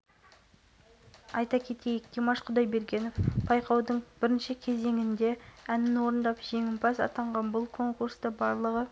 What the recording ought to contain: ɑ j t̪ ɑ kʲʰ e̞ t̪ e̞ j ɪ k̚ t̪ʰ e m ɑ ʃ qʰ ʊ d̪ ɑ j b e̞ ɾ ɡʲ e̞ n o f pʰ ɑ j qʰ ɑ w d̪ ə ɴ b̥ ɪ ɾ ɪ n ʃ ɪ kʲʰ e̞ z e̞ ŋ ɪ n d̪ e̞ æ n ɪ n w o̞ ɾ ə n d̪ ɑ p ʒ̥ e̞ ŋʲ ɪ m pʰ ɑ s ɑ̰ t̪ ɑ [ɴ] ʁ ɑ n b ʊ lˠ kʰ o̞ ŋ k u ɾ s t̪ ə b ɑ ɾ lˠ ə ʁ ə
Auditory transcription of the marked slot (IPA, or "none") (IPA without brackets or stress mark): ɴ